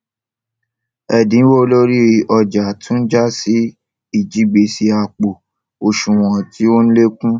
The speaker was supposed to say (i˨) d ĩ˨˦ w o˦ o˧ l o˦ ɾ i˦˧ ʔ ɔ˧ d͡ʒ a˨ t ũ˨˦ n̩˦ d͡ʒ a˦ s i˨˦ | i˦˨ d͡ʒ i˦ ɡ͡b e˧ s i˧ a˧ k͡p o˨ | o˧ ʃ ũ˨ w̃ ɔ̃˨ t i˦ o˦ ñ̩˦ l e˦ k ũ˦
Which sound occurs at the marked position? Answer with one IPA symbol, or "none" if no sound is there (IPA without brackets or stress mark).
ɛ˨